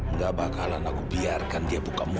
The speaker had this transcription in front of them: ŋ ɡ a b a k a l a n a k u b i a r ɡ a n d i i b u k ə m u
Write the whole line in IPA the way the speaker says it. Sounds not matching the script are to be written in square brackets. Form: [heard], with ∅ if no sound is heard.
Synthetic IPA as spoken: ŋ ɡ a b a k a l a n a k u b i a r [k] a n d i [a] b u k [a] m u